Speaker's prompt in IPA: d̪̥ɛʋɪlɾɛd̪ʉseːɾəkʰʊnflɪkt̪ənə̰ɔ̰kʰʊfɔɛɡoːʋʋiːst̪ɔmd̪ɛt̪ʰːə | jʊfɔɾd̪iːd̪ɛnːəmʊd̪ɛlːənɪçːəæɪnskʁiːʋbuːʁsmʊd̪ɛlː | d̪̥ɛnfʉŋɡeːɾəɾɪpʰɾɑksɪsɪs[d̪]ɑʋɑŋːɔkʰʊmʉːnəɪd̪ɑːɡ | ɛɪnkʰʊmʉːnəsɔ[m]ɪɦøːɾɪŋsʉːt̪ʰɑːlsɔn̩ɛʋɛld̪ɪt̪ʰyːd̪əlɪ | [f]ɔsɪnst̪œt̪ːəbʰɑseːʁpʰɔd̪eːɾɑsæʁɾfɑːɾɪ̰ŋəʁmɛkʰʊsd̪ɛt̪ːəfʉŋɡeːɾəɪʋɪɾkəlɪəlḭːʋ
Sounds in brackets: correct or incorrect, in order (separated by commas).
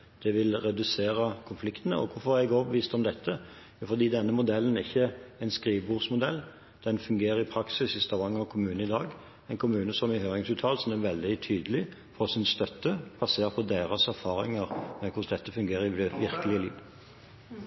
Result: incorrect, correct, correct